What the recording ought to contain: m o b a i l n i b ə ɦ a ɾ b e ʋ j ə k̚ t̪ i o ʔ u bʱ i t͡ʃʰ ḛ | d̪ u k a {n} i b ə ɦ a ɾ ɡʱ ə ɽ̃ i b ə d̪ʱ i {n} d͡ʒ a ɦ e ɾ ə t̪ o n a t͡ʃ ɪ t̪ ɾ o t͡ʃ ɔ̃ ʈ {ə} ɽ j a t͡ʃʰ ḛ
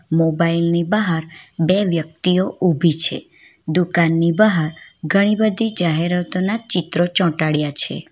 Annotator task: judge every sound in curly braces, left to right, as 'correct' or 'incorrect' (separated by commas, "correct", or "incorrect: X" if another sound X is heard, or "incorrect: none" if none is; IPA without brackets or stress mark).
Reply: incorrect: nː, incorrect: none, incorrect: a